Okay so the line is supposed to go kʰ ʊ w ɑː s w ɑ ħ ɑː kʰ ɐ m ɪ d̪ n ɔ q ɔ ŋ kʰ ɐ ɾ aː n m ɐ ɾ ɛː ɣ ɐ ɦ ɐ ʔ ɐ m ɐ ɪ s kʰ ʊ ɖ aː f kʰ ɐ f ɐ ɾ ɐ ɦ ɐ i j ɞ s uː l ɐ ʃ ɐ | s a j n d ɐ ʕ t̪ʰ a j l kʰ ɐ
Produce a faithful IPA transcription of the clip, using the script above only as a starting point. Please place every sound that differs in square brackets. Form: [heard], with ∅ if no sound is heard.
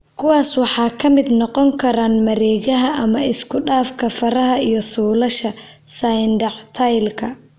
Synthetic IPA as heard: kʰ ʊ w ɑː s w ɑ ħ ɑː kʰ ɐ m ɪ d̪ n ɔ q ɔ ŋ kʰ ɐ ɾ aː n m ɐ ɾ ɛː ɣ ɐ ɦ ɐ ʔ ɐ m ɐ ɪ s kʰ ʊ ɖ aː f kʰ ɐ f ɐ ɾ ɐ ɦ ɐ i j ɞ s uː l ɐ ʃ ɐ | s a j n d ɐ ʕ t̪ʰ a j l kʰ ɐ